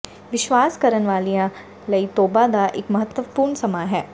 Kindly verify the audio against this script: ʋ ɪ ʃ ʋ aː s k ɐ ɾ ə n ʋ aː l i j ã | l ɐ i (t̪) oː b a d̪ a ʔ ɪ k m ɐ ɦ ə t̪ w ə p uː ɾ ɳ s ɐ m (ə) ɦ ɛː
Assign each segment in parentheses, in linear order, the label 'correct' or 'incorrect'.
correct, incorrect

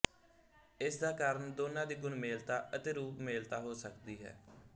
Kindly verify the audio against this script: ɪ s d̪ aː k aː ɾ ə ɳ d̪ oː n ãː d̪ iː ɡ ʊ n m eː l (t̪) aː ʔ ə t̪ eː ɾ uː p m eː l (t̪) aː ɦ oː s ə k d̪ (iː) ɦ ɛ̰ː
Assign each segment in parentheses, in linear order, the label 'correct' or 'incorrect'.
correct, correct, correct

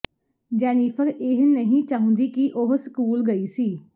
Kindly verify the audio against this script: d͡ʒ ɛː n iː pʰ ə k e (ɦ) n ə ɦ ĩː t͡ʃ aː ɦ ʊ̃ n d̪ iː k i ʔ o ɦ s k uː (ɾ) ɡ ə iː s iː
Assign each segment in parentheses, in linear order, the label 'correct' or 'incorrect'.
correct, incorrect

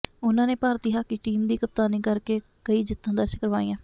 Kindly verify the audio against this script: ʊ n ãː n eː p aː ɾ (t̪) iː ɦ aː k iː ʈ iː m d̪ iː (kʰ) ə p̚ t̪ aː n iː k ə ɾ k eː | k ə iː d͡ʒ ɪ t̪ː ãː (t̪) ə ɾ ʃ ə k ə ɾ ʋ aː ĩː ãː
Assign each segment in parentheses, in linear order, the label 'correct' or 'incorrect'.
correct, incorrect, incorrect

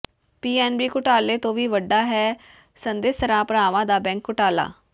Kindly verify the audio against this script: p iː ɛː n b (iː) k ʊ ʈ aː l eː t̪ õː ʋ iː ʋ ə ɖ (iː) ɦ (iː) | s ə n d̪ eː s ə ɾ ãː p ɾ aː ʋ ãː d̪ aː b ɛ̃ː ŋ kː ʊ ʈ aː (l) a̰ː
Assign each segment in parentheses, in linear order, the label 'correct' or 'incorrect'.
correct, incorrect, incorrect, correct

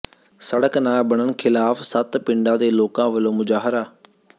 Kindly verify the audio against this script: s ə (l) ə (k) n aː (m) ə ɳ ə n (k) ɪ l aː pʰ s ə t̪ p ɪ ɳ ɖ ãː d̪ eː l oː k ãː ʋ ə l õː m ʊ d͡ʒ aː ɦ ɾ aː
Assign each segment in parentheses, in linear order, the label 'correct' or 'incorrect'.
incorrect, correct, incorrect, incorrect

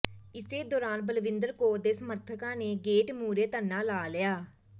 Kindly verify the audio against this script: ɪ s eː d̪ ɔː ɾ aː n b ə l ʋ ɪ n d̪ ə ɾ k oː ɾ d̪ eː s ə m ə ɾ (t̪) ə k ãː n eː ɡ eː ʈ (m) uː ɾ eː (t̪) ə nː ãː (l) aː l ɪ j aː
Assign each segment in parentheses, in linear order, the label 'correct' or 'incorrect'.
incorrect, correct, correct, correct

